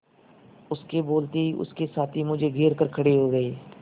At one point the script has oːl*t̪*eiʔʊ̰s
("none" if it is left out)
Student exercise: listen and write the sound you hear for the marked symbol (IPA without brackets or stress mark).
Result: t̪